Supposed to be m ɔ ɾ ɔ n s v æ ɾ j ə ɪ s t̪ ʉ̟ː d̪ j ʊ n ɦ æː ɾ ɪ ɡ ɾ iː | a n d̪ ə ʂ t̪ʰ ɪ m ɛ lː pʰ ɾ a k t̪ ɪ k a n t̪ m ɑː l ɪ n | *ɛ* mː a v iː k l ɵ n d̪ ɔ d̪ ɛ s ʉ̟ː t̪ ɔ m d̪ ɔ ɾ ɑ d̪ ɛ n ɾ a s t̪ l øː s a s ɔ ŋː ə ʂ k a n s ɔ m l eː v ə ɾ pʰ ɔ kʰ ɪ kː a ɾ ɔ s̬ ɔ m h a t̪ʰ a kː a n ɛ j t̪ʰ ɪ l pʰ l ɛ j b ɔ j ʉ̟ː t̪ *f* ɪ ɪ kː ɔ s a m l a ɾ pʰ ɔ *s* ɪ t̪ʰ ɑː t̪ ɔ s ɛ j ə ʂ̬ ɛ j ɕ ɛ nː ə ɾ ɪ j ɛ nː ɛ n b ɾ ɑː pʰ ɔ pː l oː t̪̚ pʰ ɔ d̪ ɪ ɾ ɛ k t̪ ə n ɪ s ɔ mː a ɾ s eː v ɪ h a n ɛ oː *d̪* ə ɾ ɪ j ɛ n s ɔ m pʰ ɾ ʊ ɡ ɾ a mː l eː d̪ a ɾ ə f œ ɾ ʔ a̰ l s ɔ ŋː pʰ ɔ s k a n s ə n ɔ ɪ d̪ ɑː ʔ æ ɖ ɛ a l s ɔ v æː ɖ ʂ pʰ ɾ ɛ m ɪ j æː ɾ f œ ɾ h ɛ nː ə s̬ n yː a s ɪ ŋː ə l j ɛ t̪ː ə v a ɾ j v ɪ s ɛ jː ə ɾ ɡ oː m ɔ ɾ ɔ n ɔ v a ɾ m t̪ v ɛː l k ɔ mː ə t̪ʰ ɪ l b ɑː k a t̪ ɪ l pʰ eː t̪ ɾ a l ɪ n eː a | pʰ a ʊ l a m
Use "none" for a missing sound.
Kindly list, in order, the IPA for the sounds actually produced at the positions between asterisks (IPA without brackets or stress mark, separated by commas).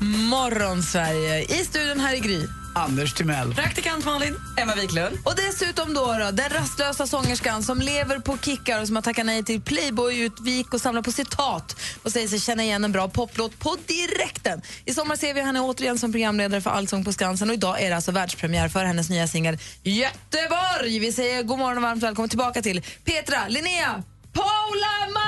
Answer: ɛ, v, s, t̪